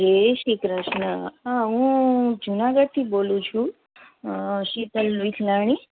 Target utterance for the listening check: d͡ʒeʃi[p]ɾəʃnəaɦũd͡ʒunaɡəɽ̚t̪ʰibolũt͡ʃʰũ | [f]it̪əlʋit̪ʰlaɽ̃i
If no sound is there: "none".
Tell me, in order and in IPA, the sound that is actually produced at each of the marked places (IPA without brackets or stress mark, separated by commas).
k, ʃ